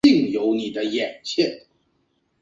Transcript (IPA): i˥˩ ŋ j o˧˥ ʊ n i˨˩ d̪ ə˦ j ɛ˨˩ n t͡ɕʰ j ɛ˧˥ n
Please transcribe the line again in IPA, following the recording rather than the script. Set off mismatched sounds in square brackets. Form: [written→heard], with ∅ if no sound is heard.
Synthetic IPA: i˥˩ ŋ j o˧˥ ʊ n i˨˩ d̪ ə˦ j ɛ˨˩ n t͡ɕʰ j [ɛ˧˥→ɛ˥˨] n